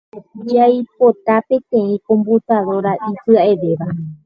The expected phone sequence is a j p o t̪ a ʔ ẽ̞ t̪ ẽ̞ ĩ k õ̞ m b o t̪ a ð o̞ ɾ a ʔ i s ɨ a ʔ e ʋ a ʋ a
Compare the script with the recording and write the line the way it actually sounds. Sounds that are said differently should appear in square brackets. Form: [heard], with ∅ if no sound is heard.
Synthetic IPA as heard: a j p o t̪ a [p] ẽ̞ t̪ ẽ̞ ĩ k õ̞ m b [u] t̪ a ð o̞ ɾ a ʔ i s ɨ a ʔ e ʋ [e] ʋ a